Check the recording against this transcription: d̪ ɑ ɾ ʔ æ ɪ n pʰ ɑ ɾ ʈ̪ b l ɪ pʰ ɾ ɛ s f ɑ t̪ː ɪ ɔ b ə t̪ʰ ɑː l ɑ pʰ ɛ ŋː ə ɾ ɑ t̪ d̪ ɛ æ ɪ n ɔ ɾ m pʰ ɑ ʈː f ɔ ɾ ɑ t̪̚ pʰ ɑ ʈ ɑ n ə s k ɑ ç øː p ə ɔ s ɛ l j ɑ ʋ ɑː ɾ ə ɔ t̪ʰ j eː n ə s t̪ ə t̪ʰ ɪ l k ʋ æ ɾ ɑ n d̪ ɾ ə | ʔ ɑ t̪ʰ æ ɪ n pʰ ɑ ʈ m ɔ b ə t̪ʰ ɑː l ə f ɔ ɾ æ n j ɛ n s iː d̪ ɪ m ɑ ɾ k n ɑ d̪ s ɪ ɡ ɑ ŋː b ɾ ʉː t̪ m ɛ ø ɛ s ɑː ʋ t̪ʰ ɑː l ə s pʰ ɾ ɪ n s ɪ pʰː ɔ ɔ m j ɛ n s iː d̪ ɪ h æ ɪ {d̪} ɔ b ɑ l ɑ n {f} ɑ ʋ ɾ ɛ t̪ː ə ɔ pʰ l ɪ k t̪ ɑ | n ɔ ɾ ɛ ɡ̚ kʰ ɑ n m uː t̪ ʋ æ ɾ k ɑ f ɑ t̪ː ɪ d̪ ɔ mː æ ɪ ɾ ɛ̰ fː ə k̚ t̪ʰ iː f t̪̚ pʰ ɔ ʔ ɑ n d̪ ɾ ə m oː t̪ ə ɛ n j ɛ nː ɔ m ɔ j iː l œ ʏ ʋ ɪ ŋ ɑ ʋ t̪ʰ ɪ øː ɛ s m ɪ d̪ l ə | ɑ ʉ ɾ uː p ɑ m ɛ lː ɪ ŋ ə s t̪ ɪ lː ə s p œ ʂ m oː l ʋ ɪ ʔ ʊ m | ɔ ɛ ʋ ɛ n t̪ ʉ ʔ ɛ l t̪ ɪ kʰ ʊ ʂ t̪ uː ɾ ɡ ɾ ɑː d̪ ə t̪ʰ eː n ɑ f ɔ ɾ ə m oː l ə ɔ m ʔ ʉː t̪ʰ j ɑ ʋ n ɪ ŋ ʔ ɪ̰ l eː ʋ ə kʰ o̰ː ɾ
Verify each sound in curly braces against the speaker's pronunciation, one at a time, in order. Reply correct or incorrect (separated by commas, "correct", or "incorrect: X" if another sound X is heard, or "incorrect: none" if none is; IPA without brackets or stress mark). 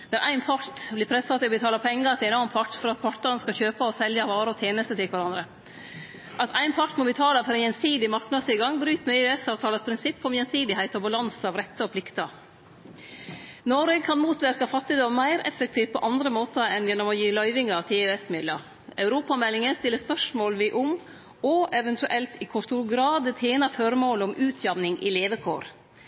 incorrect: t̪, incorrect: s